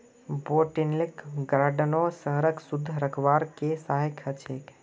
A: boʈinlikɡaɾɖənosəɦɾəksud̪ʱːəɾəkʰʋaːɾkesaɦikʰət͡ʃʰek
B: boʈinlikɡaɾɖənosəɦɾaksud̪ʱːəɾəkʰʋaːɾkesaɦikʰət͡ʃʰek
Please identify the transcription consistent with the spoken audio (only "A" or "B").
A